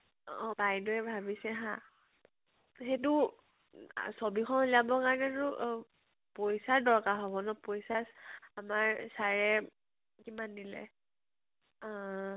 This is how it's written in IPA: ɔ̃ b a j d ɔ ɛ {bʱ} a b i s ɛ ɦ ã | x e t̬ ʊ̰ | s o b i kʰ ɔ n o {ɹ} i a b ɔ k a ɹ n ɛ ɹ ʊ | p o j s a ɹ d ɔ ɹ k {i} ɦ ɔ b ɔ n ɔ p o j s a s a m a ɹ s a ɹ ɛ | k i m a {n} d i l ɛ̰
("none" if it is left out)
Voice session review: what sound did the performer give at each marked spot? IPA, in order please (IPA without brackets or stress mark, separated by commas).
bʱ, l, a, n